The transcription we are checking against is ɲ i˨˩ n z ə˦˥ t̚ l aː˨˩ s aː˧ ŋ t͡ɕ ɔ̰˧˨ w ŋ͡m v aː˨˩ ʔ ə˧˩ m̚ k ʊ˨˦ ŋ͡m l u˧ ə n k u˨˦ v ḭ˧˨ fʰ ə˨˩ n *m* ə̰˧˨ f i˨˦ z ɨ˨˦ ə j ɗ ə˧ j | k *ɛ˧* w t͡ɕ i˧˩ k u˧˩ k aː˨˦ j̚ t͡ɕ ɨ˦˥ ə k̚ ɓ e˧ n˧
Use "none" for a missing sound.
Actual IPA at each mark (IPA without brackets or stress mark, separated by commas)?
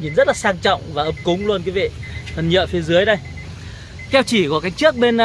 ɲ, ɛ˧